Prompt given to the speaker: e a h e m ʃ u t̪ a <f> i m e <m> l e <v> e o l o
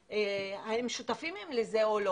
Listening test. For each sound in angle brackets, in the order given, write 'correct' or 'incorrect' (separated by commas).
correct, correct, incorrect